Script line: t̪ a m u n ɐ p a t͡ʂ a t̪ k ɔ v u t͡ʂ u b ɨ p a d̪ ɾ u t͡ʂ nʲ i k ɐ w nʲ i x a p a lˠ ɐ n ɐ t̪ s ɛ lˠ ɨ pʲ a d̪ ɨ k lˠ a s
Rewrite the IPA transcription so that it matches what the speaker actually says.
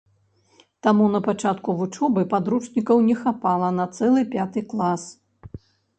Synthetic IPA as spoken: t̪ a m u n ɐ p a t͡ʂ a t̪ k u v u t͡ʂ ɔ b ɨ p a d̪ ɾ u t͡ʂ nʲ i k ɐ w nʲ ɛ x a p a lˠ ɐ n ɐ t̪ s ɛ lˠ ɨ pʲ a t̪ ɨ k lˠ a s